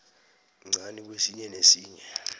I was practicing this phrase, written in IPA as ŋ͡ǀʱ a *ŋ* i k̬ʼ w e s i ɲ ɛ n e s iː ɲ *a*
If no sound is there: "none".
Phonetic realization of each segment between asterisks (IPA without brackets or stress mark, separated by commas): n, ɛ